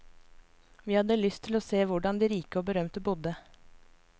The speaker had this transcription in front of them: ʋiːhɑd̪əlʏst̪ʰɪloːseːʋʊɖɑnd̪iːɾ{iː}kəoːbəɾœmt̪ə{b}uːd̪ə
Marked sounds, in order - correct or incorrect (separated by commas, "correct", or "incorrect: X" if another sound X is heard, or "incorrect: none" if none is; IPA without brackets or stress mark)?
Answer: correct, correct